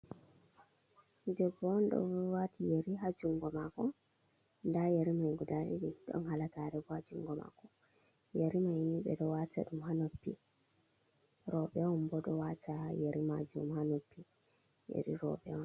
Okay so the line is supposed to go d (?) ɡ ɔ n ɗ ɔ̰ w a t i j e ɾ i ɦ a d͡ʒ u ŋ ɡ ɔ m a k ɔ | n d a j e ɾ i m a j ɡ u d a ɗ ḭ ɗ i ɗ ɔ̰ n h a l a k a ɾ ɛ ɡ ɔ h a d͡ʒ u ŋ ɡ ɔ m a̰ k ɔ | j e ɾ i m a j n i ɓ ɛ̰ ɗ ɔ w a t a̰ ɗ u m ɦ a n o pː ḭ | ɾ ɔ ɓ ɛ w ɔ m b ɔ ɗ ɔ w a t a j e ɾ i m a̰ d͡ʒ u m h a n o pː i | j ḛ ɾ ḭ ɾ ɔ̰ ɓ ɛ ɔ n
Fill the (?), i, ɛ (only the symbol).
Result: ɛ